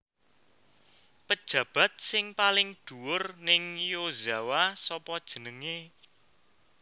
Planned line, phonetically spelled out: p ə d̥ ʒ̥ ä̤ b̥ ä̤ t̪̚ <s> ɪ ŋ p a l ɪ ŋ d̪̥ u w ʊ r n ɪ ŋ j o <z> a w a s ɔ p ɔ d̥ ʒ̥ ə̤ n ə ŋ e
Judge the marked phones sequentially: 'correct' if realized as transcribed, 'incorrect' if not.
correct, correct

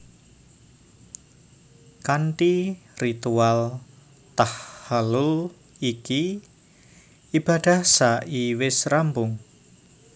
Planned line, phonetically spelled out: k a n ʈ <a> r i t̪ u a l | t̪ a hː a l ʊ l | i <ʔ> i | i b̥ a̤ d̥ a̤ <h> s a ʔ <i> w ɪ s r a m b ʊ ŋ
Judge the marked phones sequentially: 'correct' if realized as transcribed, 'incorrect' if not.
incorrect: i, incorrect: k, correct, correct

